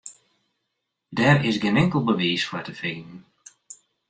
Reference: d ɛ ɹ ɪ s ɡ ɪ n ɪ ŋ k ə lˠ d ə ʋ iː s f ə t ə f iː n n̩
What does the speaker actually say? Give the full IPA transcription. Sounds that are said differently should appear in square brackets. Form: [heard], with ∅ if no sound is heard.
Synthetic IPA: d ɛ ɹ ɪ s ɡ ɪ n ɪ ŋ k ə lˠ [b] ə ʋ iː s f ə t ə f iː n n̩